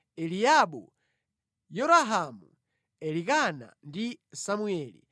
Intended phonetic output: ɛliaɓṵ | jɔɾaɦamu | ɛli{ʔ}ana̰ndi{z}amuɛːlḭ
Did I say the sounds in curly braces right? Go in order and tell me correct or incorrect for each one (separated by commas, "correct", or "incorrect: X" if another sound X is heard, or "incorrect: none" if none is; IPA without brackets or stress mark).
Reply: incorrect: k, incorrect: s